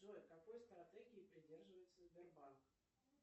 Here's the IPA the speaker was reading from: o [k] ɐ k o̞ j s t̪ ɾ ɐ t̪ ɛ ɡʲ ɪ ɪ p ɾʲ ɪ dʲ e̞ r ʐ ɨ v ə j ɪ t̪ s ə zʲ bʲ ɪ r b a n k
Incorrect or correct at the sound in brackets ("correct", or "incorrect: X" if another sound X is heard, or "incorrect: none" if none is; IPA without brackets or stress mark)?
correct